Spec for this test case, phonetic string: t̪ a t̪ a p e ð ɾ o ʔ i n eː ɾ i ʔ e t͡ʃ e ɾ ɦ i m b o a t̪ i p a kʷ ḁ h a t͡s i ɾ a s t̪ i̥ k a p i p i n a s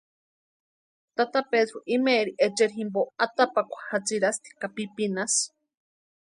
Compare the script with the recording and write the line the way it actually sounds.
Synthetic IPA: t̪ a t̪ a p e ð ɾ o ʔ i m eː ɾ i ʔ e t͡ʃ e ɾ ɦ i m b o a t̪ a p a kʷ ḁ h a t͡s i ɾ a s t̪ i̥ k a p i p i n a s